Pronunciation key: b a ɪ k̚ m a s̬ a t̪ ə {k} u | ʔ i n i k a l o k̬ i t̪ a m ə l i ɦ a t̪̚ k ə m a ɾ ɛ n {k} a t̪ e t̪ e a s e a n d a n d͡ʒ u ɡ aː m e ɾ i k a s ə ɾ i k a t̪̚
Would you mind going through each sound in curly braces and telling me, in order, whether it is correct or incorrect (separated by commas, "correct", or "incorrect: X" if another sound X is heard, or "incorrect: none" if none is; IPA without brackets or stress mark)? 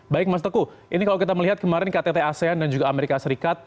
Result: correct, correct